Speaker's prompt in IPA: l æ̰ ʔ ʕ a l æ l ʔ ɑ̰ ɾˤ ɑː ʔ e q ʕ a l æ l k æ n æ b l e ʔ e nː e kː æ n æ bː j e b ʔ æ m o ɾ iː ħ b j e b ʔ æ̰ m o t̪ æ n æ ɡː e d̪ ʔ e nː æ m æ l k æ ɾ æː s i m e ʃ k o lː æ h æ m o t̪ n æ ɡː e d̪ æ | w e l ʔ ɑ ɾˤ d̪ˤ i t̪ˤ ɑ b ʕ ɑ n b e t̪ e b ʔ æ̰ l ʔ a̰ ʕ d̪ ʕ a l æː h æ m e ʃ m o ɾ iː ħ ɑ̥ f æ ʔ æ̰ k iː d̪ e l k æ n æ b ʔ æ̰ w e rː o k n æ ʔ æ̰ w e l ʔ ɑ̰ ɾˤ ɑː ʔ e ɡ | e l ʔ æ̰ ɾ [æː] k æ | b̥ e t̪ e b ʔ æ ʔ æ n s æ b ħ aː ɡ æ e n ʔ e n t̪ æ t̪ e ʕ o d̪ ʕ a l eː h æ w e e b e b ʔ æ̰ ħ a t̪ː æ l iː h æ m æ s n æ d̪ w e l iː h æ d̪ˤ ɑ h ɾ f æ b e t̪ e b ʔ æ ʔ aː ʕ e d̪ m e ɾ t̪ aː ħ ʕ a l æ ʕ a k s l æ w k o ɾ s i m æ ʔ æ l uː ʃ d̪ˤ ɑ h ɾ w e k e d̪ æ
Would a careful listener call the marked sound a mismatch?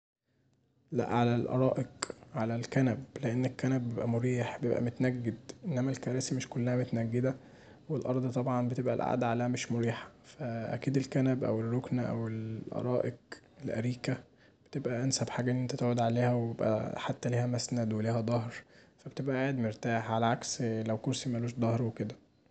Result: yes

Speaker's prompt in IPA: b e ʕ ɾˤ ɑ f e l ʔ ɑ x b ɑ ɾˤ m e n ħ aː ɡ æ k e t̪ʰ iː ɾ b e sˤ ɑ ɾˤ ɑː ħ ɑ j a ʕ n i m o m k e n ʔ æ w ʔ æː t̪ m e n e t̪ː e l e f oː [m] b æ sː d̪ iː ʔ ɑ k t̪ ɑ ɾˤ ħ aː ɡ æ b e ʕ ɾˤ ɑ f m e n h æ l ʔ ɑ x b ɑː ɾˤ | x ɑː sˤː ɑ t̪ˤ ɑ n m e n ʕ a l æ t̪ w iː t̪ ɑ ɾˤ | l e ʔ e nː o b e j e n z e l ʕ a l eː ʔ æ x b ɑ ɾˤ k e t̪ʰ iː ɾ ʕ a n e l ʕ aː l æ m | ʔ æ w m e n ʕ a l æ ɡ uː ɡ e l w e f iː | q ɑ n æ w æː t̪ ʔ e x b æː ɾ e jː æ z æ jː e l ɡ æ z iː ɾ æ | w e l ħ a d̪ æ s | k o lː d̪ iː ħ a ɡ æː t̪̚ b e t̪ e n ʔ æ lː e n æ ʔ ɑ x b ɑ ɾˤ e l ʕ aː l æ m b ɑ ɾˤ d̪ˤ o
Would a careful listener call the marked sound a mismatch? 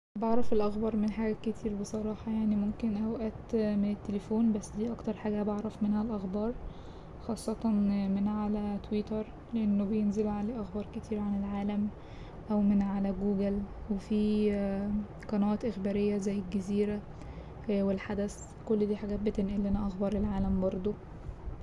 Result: yes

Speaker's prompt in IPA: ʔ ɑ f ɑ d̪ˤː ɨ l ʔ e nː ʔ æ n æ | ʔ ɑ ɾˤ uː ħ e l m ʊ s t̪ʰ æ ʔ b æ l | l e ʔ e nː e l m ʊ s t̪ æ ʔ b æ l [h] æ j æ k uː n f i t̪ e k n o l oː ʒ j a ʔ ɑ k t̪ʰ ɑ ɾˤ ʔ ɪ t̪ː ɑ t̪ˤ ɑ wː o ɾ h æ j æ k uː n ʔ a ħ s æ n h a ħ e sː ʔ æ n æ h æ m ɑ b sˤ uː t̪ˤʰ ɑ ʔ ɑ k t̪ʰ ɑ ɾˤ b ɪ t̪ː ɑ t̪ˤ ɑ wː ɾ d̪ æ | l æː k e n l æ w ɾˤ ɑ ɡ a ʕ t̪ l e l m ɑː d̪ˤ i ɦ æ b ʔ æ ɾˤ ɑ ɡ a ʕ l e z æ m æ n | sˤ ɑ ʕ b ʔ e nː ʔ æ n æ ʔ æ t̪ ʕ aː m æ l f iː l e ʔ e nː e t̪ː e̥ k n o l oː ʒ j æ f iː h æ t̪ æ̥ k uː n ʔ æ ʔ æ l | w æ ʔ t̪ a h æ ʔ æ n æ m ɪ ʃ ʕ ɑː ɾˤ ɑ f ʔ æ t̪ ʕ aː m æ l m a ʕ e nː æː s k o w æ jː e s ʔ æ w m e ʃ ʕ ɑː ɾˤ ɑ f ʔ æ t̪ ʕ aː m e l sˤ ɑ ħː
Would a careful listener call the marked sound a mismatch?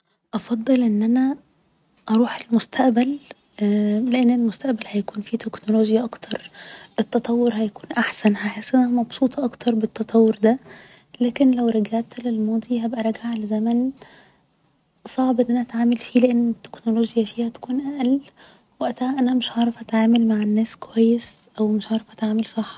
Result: no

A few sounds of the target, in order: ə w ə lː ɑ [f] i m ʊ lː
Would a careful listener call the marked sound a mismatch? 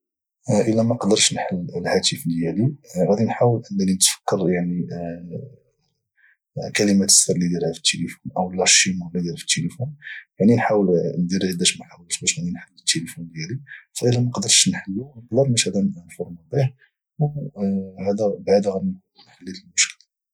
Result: yes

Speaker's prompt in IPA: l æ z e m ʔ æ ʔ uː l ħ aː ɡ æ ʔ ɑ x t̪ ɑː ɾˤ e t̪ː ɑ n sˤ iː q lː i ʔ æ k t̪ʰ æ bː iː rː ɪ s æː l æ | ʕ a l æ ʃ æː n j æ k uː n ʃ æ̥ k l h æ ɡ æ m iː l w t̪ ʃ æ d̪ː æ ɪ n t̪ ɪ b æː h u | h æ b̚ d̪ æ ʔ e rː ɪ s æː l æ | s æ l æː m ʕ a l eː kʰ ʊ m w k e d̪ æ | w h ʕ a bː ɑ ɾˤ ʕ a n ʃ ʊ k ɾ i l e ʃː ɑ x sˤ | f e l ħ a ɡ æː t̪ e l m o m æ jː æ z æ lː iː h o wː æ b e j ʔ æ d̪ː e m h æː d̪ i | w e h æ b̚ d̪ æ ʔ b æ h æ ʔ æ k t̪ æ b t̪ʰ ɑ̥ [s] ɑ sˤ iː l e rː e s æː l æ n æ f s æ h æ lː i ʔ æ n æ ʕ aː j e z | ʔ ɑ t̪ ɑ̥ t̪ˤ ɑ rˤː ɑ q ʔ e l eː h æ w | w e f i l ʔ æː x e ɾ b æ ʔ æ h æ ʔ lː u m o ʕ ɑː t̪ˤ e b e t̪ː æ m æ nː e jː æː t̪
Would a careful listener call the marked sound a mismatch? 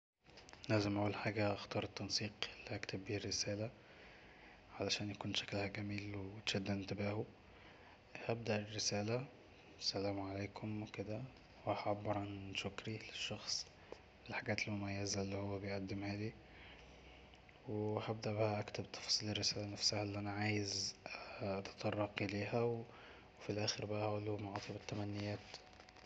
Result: yes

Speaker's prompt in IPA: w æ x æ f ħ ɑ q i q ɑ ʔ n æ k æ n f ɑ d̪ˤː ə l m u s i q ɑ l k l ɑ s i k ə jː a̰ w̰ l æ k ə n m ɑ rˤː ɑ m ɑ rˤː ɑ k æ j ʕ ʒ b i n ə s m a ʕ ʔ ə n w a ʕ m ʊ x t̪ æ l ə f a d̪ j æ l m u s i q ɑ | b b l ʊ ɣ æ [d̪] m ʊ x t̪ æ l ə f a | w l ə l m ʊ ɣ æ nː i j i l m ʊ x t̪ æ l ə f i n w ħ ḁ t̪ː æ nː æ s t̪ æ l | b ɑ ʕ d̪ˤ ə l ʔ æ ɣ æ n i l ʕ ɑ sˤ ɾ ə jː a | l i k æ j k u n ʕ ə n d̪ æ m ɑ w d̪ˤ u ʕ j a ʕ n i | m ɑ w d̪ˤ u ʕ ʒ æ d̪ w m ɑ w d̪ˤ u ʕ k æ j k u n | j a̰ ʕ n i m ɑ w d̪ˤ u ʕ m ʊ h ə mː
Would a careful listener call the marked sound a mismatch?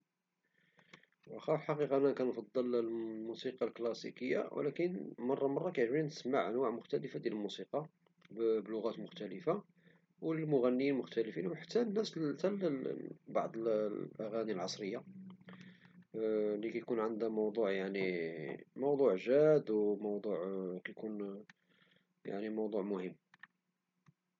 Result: yes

